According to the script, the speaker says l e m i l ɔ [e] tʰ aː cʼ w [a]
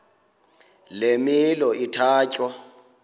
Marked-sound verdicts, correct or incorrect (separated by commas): incorrect, correct